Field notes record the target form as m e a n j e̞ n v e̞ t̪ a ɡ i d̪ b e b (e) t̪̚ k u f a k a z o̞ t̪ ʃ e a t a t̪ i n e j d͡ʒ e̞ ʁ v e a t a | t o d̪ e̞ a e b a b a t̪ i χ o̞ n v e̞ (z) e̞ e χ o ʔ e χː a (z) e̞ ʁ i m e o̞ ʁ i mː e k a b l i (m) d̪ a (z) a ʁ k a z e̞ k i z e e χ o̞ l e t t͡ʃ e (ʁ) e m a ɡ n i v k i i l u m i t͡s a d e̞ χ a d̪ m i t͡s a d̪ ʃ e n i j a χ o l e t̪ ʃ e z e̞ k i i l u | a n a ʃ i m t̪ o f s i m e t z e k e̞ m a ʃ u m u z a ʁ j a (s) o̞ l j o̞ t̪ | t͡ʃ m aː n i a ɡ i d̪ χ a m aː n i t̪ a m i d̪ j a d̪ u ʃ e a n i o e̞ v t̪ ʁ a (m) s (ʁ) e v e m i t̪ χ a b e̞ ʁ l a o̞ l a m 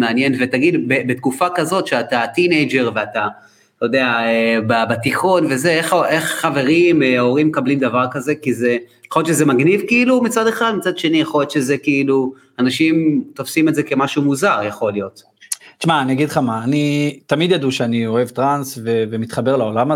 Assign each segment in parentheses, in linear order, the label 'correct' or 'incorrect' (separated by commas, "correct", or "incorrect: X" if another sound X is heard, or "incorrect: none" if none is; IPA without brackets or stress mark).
correct, correct, incorrect: v, correct, incorrect: v, incorrect: z, incorrect: χ, incorrect: n, incorrect: v